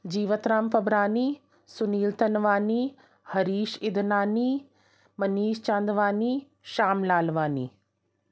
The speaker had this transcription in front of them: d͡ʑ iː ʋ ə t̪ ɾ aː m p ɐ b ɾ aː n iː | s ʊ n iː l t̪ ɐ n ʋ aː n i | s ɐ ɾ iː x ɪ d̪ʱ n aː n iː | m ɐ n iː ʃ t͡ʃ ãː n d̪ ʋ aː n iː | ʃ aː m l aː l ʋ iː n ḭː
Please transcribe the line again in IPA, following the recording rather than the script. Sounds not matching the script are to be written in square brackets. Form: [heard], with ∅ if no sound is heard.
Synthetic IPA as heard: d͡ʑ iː ʋ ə t̪ ɾ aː m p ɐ b ɾ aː n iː | s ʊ n iː l t̪ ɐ n ʋ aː n i | [h] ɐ ɾ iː [ʃ] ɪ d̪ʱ n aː n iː | m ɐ n iː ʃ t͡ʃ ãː n d̪ ʋ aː n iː | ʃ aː m l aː l ʋ [aː] n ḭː

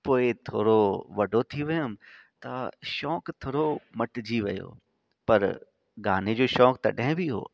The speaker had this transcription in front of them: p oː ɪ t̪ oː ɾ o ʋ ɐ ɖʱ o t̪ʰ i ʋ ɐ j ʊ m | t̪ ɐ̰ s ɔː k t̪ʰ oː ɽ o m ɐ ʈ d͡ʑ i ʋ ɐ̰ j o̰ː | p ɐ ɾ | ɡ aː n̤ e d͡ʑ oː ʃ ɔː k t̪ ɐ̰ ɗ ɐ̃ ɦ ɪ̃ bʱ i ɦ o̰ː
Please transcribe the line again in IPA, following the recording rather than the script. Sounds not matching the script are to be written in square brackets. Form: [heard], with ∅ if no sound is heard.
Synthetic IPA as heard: p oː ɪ [t̪ʰ] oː ɾ o ʋ ɐ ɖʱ o t̪ʰ i ʋ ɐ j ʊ m | t̪ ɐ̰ [ʃ] ɔː k t̪ʰ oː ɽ o m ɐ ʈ d͡ʑ i ʋ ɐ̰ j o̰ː | p ɐ ɾ | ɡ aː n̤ e d͡ʑ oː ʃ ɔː k t̪ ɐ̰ ɗ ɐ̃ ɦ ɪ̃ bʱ i ɦ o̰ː

